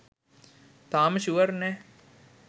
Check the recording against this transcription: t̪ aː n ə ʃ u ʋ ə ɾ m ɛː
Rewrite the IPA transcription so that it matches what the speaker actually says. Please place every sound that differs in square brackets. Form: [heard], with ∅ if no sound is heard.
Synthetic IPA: t̪ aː [m] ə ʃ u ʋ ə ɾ [n] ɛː